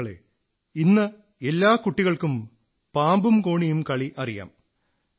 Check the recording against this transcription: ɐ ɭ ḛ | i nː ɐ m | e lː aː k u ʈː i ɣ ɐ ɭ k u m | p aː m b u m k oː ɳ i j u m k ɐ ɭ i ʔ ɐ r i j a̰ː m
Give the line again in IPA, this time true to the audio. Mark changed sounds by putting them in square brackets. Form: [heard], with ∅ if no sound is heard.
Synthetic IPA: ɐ ɭ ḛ | i nː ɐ [∅] | e lː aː k u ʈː i ɣ ɐ ɭ k u m | p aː m b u m k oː ɳ i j u m k ɐ ɭ i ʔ ɐ r i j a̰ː m